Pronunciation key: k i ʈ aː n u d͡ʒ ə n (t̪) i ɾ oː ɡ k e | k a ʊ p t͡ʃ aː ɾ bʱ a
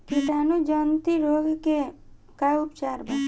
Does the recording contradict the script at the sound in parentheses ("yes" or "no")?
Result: no